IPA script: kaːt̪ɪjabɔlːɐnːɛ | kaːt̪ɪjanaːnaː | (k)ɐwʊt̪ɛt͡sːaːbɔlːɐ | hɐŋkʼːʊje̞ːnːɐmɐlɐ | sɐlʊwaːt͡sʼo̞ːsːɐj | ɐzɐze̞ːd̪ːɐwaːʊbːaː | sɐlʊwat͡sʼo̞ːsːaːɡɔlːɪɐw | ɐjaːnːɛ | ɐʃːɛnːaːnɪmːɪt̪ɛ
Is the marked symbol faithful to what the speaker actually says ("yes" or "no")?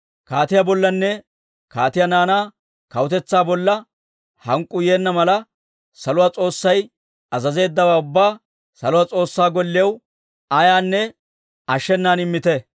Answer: yes